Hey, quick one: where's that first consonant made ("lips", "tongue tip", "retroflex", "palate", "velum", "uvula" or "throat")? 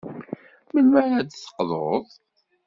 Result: lips